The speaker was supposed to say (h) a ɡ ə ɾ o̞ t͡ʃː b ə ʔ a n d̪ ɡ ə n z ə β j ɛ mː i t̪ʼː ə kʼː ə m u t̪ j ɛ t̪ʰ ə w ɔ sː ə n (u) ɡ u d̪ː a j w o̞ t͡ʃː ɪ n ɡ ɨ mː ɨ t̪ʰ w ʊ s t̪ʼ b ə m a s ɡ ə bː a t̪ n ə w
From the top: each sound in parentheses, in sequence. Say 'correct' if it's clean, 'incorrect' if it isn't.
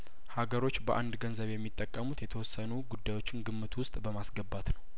correct, correct

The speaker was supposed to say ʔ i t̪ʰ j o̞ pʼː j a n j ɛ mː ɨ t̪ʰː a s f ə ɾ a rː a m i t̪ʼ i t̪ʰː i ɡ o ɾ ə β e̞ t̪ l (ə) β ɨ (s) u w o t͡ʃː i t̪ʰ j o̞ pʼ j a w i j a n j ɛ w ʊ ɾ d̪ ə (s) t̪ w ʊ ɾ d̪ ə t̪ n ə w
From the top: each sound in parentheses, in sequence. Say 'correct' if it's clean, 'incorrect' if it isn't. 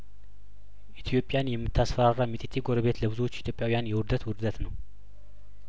correct, incorrect: z, incorrect: none

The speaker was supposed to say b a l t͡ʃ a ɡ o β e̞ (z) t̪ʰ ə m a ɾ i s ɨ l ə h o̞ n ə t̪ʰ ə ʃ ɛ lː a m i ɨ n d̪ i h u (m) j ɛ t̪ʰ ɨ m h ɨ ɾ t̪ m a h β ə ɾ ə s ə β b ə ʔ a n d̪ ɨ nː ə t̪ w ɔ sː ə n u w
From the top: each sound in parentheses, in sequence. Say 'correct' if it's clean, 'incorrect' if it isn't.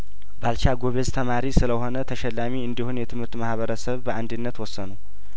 correct, incorrect: n

